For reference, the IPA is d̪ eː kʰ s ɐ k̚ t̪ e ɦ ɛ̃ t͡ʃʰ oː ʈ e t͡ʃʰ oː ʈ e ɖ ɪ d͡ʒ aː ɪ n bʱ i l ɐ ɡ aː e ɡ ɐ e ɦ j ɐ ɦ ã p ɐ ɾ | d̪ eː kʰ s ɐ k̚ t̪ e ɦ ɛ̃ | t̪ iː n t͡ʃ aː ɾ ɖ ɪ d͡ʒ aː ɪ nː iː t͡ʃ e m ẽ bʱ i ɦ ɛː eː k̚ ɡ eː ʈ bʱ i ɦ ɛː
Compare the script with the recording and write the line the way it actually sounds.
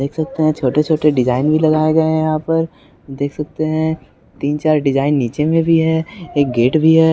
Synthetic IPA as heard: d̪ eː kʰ s ɐ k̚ t̪ e ɦ ɛ̃ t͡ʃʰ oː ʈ e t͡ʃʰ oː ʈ e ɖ ɪ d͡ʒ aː ɪ n bʱ i l ɐ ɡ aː e ɡ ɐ e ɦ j ɐ ɦ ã p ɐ ɾ | d̪ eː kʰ s ɐ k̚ t̪ e ɦ ɛ̃ | t̪ iː n t͡ʃ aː ɾ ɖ ɪ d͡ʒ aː ɪ nː iː t͡ʃ e m ẽ bʱ i ɦ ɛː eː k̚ ɡ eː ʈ bʱ i ɦ ɛː